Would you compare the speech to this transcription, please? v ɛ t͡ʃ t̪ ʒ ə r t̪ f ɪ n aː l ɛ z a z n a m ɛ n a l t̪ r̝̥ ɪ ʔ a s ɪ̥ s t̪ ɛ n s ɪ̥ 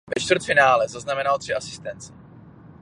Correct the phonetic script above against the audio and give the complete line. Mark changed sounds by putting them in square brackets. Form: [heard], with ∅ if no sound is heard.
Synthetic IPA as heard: v ɛ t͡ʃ t̪ [v] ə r t̪ f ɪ n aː l ɛ z a z n a m ɛ n a l t̪ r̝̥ ɪ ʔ a s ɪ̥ s t̪ ɛ n [t͡s] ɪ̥

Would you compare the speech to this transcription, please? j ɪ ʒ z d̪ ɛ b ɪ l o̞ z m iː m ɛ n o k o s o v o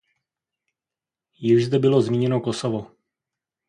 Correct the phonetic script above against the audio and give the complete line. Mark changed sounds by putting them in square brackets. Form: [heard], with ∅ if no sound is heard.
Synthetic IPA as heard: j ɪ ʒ z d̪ ɛ b ɪ l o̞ z m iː [ɲ] ɛ n o k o s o v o

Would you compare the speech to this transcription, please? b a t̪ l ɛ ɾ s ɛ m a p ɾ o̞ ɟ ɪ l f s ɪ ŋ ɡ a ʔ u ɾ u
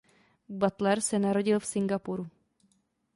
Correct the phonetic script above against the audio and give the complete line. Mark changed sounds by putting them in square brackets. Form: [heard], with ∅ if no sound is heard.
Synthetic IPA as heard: b a t̪ l ɛ ɾ s ɛ [n] a [∅] ɾ o̞ ɟ ɪ l f s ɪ ŋ ɡ a [p] u ɾ u

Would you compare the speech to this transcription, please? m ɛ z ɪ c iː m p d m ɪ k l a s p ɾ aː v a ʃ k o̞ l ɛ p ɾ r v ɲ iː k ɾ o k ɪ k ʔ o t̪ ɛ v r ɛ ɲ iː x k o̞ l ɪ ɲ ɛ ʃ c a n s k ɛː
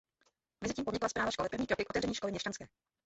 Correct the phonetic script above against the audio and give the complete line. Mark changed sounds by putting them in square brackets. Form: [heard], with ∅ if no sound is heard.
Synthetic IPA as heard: m ɛ z ɪ c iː m p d [ɲ] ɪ k l a s p ɾ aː v a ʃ k o̞ l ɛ p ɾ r v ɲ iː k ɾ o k ɪ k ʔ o t̪ ɛ v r ɛ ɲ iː [ʃ] k o̞ l ɪ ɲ ɛ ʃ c a n s k ɛː

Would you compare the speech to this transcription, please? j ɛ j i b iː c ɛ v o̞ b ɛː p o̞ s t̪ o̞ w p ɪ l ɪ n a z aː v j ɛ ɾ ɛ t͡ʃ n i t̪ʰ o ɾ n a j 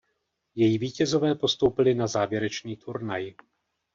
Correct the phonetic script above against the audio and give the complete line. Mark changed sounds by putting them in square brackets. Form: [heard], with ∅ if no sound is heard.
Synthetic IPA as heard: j ɛ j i [v] iː c ɛ [z] o̞ [v] ɛː p o̞ s t̪ o̞ w p ɪ l ɪ n a z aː v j ɛ ɾ ɛ t͡ʃ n [iː] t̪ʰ [u] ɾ n a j

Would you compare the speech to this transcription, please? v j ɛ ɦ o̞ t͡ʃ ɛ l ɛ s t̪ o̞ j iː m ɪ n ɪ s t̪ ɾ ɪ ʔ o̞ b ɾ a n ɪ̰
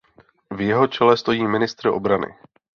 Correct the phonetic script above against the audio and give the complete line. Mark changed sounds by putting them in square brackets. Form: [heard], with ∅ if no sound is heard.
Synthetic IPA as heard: v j ɛ ɦ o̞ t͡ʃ ɛ l ɛ s t̪ o̞ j iː m ɪ n ɪ s t̪ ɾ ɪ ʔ o̞ b ɾ a n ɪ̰

